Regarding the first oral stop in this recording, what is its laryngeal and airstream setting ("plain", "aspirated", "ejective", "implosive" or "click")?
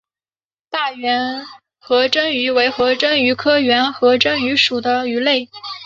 plain